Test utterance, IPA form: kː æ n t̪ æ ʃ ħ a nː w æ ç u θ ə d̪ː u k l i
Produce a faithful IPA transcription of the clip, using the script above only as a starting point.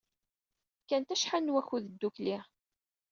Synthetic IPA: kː æ n t̪ æ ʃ ħ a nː w æ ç u ð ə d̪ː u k l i